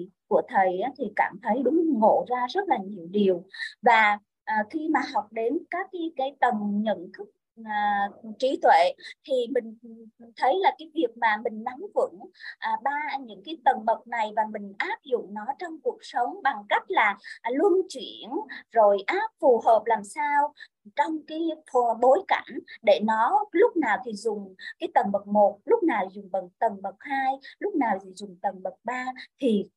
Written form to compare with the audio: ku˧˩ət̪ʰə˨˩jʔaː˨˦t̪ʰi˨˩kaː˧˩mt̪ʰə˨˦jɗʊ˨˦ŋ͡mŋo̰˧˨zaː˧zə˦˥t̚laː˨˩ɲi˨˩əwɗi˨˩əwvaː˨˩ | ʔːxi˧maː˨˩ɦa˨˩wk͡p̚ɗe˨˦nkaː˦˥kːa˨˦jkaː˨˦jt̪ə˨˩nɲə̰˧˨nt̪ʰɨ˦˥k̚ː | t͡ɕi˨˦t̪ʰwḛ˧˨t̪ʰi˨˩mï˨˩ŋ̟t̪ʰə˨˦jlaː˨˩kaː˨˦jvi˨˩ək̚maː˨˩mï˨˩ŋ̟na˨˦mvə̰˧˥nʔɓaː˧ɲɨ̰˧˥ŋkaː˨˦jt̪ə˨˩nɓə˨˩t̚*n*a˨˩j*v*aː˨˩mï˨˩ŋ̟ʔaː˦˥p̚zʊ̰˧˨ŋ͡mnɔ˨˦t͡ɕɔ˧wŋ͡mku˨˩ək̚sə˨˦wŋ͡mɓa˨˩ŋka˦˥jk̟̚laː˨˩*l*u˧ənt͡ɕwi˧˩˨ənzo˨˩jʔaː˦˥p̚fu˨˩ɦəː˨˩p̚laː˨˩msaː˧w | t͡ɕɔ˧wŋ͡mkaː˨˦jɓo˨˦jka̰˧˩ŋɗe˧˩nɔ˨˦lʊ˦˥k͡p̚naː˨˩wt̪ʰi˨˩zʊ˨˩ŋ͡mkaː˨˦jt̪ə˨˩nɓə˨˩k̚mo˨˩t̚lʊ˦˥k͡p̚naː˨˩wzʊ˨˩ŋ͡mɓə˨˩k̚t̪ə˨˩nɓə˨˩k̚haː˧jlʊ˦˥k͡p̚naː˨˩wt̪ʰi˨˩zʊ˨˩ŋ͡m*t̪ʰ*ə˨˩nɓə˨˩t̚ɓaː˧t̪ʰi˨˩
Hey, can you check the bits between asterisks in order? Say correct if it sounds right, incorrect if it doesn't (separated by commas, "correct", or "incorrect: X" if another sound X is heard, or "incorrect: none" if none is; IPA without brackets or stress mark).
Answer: correct, correct, correct, incorrect: t̪